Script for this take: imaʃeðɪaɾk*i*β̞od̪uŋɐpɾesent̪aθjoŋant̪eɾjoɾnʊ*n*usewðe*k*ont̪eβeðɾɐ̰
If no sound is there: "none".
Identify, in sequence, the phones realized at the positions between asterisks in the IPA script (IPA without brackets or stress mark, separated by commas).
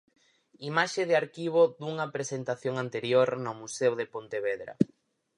i, m, p